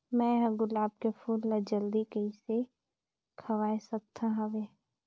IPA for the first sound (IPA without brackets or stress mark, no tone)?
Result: m